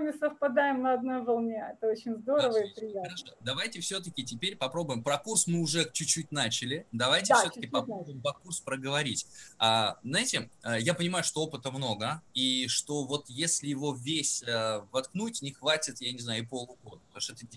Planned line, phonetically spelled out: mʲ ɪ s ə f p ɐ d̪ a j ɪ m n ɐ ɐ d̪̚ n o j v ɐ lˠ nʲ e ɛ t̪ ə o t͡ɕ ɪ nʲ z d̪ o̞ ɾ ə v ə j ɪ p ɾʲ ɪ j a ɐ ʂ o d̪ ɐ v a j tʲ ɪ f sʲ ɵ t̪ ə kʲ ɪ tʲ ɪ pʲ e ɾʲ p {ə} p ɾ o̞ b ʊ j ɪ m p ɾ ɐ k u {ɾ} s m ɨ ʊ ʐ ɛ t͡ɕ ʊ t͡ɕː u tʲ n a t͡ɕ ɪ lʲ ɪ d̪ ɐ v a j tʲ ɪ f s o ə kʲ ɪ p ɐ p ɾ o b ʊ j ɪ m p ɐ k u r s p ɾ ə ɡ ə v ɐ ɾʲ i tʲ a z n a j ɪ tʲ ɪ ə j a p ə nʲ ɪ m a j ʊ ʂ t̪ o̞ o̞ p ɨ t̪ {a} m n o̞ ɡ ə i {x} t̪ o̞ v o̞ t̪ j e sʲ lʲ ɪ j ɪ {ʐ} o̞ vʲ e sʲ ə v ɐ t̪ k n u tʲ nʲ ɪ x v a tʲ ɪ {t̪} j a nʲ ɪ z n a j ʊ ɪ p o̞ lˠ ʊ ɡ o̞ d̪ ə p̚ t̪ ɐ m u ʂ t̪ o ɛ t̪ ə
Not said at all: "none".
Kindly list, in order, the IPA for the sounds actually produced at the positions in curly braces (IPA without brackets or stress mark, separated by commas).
ɐ, r, ə, ʂ, v, t̪